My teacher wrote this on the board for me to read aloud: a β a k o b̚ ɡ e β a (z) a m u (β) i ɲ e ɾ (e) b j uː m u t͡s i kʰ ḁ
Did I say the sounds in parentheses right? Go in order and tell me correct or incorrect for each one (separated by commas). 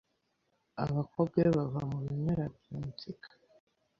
incorrect, correct, incorrect